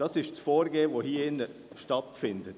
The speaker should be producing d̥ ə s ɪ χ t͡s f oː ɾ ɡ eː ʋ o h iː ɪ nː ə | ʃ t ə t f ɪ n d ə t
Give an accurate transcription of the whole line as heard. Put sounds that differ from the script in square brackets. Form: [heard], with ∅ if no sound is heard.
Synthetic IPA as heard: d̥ [ɑ] s ɪ [ʃ] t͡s f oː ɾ ɡ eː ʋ o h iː ɪ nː ə | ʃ t [ɑ] t f ɪ n d ə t